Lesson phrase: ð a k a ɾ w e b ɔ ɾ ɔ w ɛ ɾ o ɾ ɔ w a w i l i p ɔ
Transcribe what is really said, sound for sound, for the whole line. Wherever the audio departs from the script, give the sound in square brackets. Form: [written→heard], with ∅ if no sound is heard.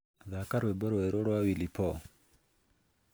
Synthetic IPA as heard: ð a k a ɾ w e b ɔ ɾ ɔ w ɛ ɾ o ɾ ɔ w a w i l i p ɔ